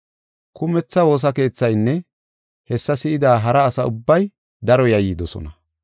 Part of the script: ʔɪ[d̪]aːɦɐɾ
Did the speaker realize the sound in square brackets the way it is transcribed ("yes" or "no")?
yes